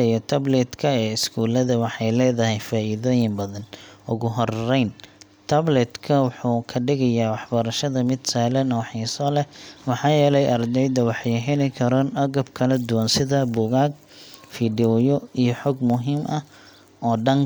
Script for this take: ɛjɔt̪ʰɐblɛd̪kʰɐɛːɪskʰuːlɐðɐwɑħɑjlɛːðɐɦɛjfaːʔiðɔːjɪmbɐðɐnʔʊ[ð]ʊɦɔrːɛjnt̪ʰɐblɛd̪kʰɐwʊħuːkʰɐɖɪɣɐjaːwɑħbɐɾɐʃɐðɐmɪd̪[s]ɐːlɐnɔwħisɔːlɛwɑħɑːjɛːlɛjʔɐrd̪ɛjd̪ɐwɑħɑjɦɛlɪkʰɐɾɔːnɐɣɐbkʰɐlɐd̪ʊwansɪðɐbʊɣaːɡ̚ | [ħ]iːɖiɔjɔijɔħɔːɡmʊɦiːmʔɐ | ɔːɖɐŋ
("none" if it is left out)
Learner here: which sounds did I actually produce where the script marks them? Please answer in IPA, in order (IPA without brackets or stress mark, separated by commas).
ɣ, s, f